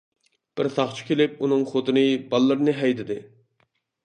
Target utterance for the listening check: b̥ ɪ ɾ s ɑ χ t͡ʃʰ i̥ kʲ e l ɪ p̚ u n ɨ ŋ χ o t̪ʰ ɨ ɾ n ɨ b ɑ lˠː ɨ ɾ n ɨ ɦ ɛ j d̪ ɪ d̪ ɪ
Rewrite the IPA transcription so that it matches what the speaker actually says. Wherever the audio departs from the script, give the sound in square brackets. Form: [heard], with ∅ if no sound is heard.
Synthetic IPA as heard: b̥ ɪ ɾ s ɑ χ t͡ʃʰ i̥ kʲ e l ɪ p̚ u n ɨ ŋ χ o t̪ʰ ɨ [∅] n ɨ b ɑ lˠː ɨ ɾ n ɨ ɦ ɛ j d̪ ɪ d̪ ɪ